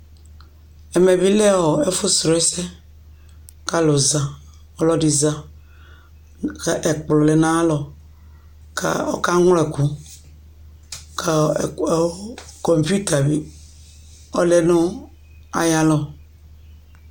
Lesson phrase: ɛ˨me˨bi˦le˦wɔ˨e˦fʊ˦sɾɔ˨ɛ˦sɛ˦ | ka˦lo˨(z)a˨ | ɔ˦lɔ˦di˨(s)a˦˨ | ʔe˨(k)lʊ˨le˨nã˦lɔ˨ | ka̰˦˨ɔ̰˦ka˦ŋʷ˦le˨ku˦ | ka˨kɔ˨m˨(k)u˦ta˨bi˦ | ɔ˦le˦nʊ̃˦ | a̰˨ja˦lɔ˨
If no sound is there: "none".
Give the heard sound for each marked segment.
z, z, k͡p, p

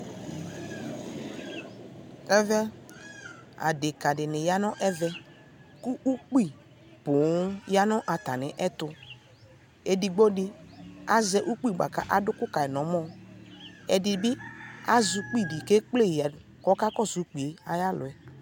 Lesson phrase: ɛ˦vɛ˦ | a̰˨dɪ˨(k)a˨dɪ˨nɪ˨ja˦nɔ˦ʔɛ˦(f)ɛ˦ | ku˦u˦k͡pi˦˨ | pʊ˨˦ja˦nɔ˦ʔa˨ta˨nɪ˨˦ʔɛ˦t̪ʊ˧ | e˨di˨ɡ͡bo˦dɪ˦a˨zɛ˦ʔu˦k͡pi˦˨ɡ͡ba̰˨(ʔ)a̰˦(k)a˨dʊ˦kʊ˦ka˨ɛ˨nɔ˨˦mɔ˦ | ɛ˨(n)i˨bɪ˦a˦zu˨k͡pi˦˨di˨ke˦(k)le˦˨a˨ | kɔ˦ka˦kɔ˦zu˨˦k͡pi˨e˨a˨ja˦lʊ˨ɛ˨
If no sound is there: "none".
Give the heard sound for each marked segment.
k, v, k, ʔ, d, k͡p

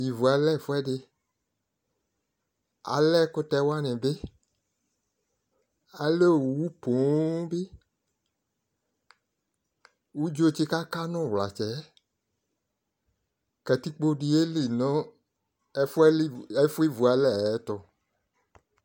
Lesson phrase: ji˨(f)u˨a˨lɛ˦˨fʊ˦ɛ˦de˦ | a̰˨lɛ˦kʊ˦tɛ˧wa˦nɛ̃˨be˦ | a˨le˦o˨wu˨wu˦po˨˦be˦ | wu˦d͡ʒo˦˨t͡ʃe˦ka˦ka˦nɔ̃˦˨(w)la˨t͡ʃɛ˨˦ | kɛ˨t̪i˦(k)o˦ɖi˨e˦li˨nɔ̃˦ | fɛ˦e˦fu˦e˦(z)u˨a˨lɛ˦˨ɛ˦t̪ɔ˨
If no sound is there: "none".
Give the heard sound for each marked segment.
v, w, k͡p, v

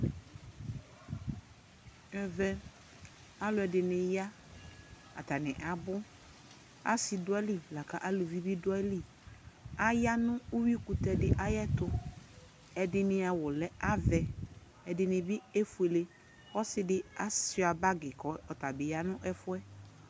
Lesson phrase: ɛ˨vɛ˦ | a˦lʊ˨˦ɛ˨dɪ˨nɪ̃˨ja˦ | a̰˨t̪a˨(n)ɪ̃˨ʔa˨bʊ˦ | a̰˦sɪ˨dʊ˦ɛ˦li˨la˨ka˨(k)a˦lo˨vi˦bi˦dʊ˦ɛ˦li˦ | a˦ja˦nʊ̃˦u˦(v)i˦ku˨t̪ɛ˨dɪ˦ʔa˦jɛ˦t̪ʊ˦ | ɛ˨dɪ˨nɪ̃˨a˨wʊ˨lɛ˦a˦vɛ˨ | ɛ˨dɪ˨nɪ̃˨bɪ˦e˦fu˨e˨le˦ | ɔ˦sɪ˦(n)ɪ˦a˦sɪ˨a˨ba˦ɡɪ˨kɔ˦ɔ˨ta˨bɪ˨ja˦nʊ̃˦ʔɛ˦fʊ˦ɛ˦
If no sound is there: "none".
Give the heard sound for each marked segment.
n, ʔ, w, d

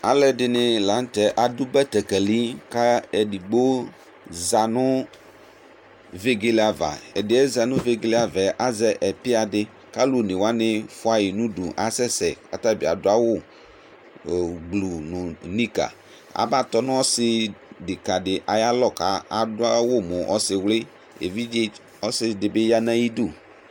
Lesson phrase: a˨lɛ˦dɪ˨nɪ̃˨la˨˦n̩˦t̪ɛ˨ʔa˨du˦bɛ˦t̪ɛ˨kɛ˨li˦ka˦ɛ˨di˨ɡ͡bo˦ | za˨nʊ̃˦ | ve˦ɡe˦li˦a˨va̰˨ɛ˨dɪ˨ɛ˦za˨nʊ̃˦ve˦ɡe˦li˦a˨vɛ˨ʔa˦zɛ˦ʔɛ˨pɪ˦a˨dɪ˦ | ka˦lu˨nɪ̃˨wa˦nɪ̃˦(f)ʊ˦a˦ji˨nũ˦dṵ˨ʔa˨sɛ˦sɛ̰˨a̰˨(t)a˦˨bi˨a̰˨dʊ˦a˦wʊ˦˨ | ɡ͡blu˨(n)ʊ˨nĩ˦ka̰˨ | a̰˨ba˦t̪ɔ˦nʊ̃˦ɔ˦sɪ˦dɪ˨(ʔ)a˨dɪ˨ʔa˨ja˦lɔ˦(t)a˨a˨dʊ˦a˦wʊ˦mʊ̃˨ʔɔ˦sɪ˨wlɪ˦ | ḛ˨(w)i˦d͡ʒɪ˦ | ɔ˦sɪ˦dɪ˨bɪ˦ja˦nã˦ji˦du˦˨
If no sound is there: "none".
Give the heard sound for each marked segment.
f, t, n, k, k, v

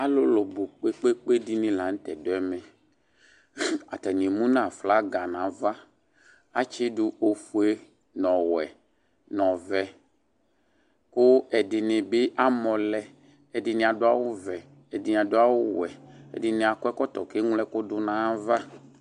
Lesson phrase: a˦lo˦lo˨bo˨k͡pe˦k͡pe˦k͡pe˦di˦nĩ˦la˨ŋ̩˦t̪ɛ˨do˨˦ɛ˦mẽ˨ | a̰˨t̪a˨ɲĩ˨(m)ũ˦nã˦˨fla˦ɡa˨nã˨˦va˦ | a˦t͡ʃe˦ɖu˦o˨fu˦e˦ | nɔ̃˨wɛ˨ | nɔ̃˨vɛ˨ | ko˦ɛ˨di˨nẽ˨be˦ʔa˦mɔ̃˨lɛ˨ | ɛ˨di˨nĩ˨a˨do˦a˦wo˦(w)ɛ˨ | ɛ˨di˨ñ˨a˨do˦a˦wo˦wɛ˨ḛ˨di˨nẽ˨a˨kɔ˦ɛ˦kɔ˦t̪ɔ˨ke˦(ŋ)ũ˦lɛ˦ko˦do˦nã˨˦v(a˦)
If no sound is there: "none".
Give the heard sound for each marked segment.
m, v, ŋ, a˦

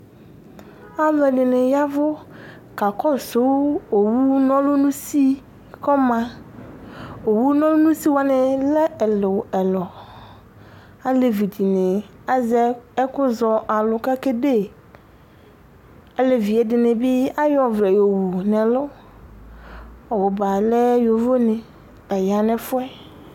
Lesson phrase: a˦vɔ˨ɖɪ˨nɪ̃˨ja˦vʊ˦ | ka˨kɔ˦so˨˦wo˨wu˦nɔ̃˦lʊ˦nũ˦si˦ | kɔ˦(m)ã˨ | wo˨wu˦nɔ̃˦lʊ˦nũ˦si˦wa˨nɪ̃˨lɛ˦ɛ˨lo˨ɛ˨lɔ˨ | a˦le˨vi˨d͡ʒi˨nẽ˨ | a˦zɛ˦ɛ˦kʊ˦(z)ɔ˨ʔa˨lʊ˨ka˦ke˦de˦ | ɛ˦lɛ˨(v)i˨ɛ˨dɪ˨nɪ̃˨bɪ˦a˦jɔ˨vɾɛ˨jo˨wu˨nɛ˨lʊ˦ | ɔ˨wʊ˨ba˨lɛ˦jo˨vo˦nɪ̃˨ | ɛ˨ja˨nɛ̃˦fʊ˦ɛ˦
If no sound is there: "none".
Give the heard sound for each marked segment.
m, z, v

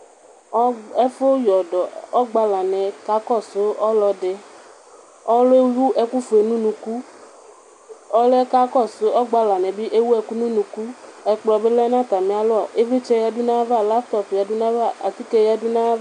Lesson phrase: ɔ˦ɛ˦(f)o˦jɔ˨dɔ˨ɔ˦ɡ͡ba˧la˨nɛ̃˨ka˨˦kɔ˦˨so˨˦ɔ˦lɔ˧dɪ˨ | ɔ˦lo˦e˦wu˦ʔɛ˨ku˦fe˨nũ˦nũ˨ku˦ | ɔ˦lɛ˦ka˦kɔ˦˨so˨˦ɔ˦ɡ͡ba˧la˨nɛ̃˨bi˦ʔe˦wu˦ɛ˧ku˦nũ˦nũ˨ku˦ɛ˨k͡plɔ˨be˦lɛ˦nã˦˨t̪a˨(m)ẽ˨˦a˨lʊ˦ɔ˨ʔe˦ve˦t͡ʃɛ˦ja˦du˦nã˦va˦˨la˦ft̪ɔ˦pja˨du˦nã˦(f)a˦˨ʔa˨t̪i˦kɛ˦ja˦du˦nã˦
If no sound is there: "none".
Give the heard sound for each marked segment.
f, m, v

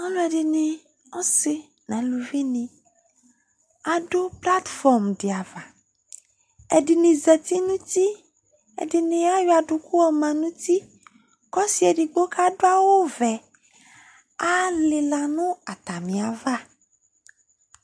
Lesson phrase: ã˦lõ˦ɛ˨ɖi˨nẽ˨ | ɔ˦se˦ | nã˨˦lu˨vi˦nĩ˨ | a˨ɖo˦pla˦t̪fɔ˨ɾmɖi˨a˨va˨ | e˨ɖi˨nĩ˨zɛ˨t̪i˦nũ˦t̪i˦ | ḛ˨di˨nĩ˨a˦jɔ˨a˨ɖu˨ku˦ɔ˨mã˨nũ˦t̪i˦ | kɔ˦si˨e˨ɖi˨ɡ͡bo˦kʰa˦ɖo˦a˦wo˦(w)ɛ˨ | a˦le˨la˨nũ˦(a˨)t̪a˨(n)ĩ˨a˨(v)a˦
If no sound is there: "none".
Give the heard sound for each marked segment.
v, a˨, m, v

